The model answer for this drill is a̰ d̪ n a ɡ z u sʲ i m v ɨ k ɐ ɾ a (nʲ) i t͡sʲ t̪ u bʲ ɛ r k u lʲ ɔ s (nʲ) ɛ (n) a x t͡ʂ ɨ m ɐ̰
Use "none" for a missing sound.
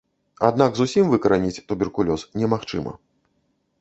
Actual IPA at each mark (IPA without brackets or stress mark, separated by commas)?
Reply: nʲ, nʲ, m